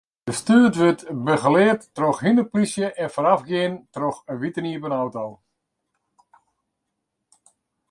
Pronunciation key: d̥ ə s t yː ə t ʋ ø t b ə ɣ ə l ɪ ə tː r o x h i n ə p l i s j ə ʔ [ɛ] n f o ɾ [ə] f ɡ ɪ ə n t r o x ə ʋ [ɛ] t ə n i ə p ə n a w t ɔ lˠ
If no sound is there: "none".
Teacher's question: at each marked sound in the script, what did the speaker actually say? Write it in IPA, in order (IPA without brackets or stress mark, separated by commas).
ɛ, a, i